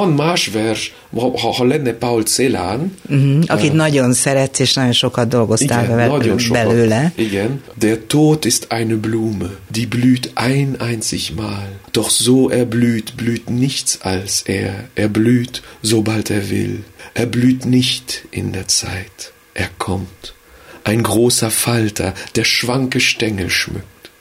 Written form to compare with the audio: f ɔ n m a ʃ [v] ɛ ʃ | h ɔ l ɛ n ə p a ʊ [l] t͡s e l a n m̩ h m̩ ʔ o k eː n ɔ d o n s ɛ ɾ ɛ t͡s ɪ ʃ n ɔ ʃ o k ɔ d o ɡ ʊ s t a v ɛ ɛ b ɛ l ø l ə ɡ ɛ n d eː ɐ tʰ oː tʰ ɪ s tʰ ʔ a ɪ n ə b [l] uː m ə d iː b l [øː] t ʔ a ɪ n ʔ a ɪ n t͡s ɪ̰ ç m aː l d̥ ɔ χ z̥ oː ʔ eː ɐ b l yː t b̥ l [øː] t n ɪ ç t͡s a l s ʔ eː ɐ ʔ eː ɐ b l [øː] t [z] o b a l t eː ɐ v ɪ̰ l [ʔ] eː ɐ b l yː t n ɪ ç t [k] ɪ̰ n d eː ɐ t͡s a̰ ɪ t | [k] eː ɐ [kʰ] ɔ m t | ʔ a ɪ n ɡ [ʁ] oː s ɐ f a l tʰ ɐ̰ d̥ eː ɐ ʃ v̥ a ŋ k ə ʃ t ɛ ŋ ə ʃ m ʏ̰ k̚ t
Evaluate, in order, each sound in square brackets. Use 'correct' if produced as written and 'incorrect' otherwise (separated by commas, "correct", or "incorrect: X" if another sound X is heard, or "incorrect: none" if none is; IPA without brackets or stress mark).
correct, correct, correct, incorrect: yː, incorrect: yː, incorrect: yː, correct, correct, incorrect: ʔ, incorrect: ʔ, correct, correct